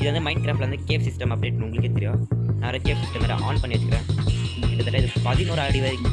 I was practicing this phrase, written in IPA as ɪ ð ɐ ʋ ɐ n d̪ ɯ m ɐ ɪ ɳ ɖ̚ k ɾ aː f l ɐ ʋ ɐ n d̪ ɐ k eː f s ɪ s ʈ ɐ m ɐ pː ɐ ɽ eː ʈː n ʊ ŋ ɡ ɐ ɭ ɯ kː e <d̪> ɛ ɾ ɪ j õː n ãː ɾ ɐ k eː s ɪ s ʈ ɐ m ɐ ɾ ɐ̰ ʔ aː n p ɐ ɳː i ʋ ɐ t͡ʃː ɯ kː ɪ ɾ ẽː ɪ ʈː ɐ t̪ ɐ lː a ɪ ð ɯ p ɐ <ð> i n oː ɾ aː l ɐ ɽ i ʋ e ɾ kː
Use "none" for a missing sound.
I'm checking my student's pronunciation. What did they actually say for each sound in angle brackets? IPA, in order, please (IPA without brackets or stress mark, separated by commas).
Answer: t̪, ð